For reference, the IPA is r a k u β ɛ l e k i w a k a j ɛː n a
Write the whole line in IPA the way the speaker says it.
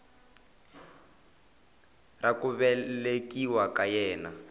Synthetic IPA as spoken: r a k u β ɛ l e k i w a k a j ɛː n a